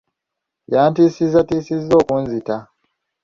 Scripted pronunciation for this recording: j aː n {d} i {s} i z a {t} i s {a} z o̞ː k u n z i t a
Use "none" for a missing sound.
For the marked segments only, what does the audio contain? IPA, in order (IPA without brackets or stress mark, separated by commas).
t, s, t, i